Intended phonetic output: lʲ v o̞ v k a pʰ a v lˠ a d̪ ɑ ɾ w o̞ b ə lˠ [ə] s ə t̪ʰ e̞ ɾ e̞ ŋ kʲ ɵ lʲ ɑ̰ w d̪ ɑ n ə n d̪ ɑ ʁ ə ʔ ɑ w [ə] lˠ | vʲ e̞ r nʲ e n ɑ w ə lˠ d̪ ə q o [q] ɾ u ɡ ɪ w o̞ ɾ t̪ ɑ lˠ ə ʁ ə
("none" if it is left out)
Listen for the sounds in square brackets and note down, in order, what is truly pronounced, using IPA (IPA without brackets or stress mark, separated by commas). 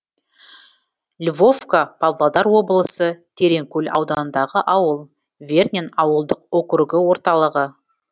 ə, ə, k